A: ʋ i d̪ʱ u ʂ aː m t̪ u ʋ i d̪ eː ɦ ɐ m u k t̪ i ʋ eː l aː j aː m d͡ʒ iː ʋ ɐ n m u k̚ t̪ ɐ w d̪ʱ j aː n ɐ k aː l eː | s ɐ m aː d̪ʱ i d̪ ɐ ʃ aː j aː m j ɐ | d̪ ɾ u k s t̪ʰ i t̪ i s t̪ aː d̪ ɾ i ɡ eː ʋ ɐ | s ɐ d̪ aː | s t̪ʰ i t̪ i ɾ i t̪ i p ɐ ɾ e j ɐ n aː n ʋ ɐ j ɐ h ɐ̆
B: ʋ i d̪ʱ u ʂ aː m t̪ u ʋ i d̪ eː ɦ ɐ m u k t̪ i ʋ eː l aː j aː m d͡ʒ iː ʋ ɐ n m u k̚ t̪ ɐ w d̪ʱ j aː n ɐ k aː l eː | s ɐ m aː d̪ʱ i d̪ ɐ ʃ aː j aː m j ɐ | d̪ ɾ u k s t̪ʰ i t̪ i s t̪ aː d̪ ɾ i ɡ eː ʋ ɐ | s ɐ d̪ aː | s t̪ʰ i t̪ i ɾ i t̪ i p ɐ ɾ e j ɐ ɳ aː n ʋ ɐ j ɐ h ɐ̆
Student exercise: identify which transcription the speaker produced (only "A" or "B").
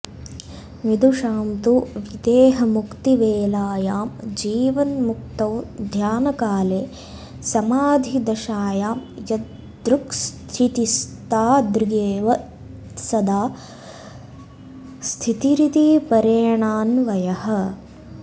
B